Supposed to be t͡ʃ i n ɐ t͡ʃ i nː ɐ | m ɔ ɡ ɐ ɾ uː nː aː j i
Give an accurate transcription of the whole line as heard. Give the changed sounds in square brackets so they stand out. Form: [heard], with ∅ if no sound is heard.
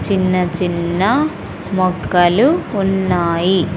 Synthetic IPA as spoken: t͡ʃ i [nː] ɐ t͡ʃ i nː ɐ | m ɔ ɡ ɐ [l] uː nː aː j i